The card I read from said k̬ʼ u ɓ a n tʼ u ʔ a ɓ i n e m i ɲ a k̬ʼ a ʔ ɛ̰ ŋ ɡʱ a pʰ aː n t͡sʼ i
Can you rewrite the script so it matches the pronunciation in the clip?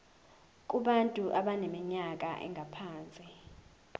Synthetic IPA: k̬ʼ u ɓ a n tʼ u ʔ a ɓ a n e m i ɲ a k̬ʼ a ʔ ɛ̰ ŋ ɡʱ a pʰ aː n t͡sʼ i

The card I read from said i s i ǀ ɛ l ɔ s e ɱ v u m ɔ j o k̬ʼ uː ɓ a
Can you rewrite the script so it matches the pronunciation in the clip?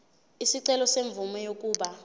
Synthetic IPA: i s i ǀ ɛ l ɔ s e ɱ v u m ɔ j o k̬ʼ uː ɓ a

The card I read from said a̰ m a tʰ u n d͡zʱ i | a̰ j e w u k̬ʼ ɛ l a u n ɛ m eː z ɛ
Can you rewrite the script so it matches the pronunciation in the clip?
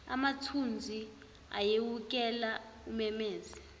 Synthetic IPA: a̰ m a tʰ u n d͡zʱ i | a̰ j e w u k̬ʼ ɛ l a u m ɛ m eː z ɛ

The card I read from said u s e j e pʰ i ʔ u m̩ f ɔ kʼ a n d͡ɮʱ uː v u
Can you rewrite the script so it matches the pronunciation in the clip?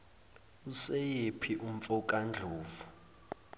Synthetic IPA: u s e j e pʰ i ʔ u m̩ f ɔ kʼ a n d͡ɮʱ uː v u

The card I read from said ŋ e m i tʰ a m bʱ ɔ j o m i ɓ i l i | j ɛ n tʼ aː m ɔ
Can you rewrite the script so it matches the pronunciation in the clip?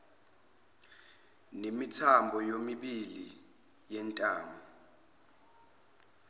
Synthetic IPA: n e m i tʰ a m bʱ ɔ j o m i ɓ i l i | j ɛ n tʼ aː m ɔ

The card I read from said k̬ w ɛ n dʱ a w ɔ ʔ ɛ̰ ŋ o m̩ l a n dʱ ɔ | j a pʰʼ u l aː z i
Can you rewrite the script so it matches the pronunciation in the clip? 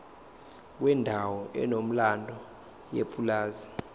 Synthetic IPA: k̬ w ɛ n dʱ a w ɔ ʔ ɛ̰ n o m̩ l a n dʱ ɔ | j e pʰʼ u l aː z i

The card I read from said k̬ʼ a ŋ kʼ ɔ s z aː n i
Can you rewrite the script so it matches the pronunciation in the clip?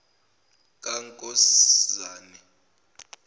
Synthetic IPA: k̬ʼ a ŋ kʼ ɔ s z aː n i

